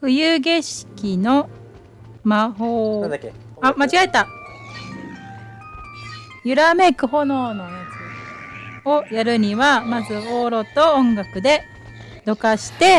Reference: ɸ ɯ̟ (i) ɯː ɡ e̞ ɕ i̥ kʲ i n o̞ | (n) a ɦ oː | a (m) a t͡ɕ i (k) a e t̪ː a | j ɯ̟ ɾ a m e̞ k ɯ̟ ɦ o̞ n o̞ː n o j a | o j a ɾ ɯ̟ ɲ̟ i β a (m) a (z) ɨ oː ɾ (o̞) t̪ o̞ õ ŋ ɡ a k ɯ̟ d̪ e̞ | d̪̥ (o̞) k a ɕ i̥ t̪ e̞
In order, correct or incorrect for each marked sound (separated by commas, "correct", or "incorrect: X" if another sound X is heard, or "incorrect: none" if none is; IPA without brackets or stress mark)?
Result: incorrect: j, incorrect: m, correct, incorrect: ɡ, correct, correct, correct, correct